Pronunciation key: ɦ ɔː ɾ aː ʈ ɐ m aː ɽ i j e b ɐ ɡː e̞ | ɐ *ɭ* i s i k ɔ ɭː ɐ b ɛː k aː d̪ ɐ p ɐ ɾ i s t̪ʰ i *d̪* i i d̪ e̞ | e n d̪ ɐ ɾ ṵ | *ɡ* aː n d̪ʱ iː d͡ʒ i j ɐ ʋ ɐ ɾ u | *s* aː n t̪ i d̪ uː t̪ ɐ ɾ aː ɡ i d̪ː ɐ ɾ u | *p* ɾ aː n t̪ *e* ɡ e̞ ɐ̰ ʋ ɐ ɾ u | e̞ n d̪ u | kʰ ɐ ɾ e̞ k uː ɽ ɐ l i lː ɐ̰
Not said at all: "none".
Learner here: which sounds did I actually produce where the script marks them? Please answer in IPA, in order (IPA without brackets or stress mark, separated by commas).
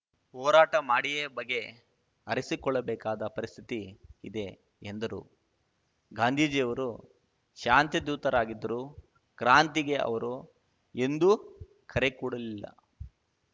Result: ɾ, t̪, ɡ, ʃ, k, i